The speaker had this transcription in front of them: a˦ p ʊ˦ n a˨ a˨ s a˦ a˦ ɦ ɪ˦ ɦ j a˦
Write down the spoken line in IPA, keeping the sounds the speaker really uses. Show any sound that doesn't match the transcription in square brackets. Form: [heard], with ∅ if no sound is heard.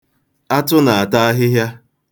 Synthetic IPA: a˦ [t] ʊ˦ n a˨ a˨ [t] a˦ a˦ ɦ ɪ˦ ɦ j a˦